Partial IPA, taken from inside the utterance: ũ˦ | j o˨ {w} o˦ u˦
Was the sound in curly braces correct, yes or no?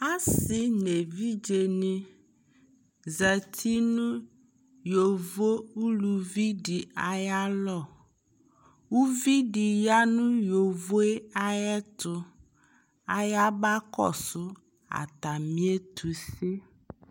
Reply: no